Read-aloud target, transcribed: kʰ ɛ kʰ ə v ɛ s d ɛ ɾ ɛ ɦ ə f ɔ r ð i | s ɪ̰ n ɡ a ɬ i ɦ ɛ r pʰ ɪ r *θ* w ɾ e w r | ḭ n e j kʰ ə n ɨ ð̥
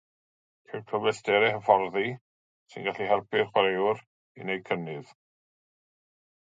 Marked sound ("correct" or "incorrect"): incorrect